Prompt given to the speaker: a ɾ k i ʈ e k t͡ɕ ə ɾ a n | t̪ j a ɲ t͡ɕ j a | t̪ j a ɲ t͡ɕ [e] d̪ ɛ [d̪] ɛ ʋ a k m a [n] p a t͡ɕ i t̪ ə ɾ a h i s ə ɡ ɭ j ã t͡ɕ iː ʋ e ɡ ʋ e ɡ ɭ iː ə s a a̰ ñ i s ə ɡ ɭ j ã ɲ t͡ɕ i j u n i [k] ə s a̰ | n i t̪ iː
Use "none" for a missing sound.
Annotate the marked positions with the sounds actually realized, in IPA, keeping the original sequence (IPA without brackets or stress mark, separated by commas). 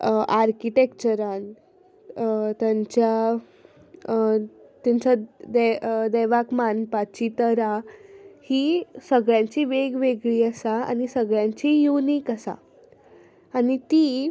a, d̪, n, k